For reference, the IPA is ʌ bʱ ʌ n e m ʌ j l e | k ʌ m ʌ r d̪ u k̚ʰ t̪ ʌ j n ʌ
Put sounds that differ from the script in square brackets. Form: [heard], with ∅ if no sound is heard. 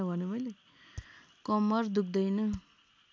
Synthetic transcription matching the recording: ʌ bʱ ʌ n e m ʌ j l e | k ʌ m ʌ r d̪ u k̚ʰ [d̪] ʌ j n ʌ